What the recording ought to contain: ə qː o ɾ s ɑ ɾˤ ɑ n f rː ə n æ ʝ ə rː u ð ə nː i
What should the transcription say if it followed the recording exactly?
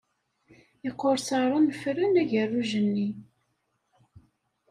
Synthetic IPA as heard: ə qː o ɾ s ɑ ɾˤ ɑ n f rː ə n æ ʝ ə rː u ʒ ə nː i